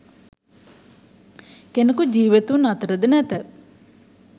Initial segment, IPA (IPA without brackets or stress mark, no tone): k